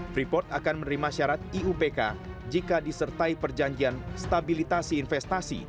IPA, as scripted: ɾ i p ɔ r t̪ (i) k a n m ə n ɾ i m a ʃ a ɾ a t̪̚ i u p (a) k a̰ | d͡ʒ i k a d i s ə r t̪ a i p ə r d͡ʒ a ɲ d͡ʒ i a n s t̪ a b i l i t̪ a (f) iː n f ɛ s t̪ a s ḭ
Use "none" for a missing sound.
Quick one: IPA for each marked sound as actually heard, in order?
a, e, s

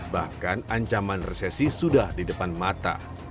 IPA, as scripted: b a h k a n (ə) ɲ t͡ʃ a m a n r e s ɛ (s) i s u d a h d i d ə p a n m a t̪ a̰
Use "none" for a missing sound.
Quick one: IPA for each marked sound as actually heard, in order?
a, s

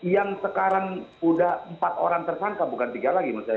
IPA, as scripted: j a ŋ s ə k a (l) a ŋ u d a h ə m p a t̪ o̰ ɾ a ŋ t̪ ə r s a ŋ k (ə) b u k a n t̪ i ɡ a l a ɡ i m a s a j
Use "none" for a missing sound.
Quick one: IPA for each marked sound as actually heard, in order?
ɾ, a

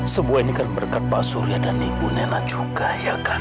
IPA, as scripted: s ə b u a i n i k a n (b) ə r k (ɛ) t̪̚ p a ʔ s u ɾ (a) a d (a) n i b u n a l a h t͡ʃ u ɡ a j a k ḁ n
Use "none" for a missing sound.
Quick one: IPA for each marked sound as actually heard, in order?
b, a, i, a

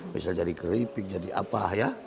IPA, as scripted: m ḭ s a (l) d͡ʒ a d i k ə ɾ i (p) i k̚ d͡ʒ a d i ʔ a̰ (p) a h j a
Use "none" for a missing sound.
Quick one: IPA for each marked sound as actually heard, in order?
l, p, p

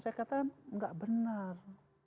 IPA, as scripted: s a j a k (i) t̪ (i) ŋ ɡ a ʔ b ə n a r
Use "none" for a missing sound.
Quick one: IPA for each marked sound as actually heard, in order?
a, a

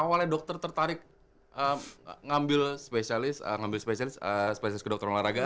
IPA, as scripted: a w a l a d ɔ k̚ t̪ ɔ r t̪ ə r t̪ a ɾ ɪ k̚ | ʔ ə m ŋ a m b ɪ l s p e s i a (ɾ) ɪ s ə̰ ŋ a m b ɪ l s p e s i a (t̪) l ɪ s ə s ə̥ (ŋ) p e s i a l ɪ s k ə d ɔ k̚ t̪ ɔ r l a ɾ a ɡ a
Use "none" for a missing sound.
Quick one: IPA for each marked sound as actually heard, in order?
l, none, none

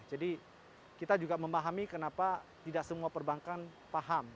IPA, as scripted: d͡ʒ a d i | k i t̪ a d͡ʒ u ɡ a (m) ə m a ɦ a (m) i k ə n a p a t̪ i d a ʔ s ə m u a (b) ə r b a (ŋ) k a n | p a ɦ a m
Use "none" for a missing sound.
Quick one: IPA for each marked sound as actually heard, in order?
m, m, p, ŋ

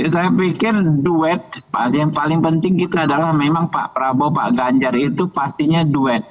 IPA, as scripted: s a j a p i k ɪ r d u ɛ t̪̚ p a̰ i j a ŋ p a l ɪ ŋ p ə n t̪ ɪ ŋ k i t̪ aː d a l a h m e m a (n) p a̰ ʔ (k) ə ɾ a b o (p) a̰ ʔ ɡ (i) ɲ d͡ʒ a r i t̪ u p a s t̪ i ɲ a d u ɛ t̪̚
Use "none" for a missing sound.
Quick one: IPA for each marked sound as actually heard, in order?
ŋ, p, p, a

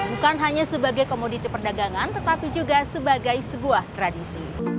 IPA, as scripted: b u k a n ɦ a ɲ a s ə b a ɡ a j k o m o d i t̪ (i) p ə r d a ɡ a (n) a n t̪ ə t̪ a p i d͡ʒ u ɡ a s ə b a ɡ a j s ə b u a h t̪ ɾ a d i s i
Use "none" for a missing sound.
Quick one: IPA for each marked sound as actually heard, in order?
i, ŋ

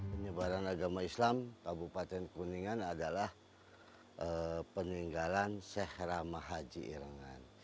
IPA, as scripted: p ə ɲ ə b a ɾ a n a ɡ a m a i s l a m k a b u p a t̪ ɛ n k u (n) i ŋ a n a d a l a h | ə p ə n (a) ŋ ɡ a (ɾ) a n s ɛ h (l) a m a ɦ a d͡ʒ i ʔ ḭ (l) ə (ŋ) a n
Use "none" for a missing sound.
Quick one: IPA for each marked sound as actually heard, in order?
n, i, l, ɾ, ɾ, ŋ

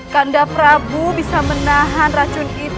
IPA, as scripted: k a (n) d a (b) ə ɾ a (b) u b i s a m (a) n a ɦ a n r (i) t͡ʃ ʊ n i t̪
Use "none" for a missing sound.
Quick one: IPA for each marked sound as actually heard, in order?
n, p, b, ə, a

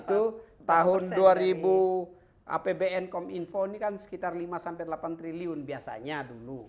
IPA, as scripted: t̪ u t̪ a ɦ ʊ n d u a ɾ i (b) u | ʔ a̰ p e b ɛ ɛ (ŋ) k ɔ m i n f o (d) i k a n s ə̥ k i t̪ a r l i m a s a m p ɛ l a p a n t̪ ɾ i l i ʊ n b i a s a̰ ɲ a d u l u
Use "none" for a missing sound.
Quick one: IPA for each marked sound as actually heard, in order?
b, n, n

